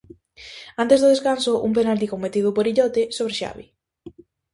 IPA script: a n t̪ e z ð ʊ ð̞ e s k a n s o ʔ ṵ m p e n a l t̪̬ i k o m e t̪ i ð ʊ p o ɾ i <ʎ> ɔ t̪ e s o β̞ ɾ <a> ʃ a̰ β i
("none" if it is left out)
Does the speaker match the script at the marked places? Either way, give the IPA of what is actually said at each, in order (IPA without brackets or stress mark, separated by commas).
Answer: ʎ, e